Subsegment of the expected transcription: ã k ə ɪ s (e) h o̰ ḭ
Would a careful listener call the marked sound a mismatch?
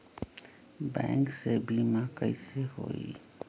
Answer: no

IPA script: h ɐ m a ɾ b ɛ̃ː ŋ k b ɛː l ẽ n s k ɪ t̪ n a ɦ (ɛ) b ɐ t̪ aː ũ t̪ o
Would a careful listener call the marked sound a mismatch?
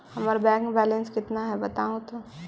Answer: no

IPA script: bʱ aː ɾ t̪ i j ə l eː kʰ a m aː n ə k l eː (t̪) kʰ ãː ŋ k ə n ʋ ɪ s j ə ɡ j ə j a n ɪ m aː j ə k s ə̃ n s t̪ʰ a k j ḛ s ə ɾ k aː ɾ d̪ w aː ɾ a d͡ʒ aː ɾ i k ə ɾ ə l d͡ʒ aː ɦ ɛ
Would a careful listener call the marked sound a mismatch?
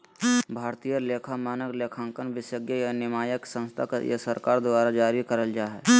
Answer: yes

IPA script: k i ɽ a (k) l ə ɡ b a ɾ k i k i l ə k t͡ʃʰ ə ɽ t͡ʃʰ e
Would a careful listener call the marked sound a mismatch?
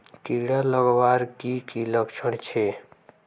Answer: yes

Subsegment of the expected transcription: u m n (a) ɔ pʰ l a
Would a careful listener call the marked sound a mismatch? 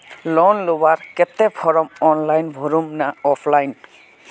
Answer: no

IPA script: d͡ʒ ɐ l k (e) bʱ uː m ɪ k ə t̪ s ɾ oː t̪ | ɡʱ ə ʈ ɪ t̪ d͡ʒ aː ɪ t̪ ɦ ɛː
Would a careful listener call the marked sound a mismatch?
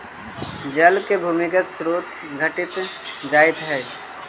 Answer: no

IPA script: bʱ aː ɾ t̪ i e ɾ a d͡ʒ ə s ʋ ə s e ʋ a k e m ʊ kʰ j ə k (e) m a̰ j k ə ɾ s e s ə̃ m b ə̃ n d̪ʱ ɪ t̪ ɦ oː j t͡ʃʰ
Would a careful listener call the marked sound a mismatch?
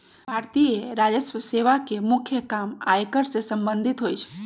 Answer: yes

